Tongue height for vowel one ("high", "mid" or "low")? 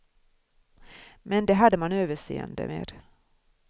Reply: mid